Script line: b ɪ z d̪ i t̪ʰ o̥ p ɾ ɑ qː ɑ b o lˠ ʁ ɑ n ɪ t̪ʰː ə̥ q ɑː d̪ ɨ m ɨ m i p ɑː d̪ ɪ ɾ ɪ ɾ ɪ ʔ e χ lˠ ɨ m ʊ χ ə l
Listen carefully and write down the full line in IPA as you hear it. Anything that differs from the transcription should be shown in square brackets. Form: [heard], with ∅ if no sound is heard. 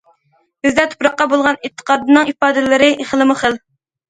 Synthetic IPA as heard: b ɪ z d̪ [ɛ] t̪ʰ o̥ p ɾ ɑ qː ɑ b o lˠ ʁ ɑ n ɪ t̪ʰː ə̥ q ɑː d̪ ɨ [n] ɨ [ŋ] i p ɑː d̪ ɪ [l] ɪ ɾ ɪ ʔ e χ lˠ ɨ m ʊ χ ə l